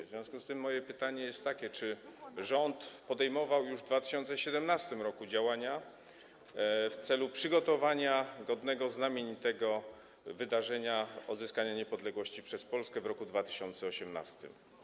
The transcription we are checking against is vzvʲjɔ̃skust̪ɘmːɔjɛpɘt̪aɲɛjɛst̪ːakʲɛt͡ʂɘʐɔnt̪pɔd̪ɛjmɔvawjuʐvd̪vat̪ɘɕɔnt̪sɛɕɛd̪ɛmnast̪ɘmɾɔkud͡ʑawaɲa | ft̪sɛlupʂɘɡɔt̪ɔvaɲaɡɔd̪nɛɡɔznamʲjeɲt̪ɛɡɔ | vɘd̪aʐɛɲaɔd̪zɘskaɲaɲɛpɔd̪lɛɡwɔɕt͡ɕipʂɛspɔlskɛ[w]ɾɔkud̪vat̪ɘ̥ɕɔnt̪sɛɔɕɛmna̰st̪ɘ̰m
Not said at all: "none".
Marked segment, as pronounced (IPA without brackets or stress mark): v